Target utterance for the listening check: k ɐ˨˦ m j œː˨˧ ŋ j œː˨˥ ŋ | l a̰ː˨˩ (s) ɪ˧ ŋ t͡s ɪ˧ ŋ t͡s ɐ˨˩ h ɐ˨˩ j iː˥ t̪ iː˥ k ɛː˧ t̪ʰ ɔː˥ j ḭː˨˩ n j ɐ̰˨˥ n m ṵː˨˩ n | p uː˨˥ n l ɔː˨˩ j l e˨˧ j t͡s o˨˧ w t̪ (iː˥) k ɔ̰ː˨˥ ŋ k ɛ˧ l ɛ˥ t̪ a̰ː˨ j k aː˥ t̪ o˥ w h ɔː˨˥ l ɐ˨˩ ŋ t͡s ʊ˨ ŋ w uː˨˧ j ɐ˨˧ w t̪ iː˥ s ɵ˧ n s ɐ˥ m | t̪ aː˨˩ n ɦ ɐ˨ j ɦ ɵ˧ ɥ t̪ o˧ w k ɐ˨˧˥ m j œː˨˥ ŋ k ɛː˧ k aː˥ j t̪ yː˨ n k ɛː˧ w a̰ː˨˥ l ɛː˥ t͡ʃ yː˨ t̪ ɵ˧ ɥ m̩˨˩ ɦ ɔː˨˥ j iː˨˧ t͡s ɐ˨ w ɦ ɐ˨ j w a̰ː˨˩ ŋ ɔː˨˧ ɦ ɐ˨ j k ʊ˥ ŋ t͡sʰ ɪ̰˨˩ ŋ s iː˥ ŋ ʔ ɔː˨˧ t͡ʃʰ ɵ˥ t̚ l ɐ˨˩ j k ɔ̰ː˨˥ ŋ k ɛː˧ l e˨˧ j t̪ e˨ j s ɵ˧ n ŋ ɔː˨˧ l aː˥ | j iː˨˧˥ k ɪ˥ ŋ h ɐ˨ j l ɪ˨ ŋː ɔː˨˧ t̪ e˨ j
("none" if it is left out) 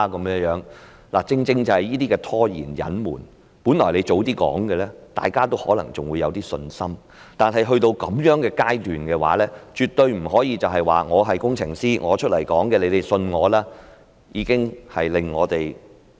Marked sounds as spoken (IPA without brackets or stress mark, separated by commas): t͡s, iː˥